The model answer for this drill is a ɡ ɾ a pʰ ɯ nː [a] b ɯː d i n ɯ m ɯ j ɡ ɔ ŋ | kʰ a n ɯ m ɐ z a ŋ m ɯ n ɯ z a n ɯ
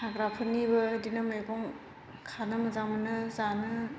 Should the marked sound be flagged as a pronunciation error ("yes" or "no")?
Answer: yes